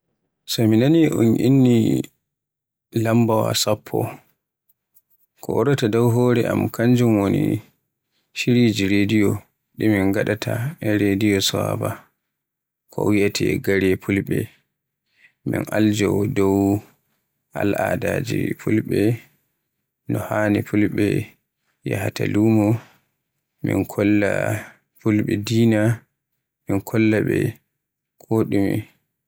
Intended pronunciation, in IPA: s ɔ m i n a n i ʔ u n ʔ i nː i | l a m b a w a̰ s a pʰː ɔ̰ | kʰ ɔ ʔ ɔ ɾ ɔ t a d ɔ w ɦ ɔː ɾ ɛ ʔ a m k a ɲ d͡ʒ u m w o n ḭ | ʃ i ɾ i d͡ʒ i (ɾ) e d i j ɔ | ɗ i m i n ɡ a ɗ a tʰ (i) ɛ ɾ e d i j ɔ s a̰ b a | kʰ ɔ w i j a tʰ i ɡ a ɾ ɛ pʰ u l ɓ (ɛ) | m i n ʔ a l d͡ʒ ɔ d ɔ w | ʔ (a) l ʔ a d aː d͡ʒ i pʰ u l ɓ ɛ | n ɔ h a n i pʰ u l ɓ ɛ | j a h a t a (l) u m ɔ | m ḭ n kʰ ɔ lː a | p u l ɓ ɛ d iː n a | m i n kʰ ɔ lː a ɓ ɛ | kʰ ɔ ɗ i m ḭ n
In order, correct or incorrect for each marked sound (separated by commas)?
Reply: correct, incorrect, correct, correct, correct